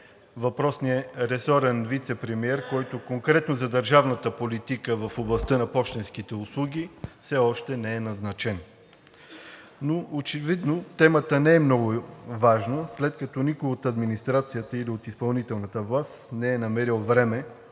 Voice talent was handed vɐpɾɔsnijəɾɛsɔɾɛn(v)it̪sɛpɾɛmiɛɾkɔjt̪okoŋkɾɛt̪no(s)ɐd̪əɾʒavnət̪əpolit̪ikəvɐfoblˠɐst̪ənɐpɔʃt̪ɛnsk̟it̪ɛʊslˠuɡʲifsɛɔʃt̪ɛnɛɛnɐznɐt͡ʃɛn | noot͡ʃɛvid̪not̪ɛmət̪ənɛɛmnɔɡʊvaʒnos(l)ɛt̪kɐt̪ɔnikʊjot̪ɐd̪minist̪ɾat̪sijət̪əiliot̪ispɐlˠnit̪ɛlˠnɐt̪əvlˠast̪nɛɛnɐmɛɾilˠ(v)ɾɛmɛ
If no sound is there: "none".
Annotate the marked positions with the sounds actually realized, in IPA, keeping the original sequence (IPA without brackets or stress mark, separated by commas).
v, z, l, v